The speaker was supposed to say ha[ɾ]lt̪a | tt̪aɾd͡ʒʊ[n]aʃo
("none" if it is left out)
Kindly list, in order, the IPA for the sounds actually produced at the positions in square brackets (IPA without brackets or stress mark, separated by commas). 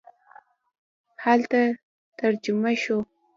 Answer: none, m